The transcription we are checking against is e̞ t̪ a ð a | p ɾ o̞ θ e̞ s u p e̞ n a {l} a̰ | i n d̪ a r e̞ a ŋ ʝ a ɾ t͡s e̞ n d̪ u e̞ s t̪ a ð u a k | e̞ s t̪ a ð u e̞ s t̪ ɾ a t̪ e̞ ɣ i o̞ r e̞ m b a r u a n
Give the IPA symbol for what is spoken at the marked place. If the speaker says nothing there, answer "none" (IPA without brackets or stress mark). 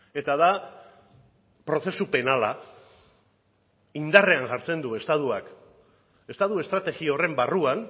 l